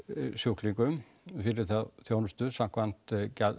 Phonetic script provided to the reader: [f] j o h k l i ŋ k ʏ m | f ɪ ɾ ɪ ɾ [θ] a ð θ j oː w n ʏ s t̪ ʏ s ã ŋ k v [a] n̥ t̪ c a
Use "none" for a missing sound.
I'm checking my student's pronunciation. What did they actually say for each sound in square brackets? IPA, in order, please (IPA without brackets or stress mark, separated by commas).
s, θ, a